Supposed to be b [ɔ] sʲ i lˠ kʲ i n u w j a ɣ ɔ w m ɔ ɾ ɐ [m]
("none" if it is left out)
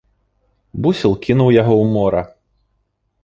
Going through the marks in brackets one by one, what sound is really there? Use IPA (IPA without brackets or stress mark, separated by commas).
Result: u, none